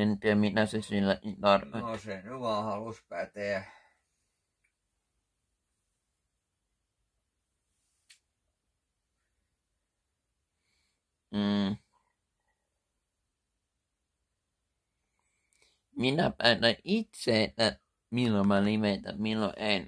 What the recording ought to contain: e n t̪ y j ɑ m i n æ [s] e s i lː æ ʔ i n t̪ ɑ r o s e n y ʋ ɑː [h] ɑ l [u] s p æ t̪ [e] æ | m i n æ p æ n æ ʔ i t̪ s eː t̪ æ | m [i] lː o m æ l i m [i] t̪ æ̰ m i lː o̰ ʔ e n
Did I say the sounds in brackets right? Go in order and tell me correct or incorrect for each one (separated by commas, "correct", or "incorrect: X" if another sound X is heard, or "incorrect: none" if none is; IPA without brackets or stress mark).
correct, correct, correct, correct, correct, incorrect: e